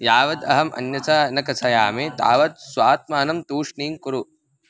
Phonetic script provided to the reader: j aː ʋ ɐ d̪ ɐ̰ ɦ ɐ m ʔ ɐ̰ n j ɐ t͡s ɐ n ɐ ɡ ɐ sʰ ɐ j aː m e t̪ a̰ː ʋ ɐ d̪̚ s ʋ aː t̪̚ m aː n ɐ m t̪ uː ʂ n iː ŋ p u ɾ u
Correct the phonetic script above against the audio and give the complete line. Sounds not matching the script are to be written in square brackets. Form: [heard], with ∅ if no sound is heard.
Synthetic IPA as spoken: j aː ʋ ɐ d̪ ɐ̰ ɦ ɐ m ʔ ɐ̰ n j ɐ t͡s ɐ n ɐ [k] ɐ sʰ ɐ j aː m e t̪ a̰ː ʋ ɐ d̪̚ s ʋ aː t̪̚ m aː n ɐ m t̪ uː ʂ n iː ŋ [k] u ɾ u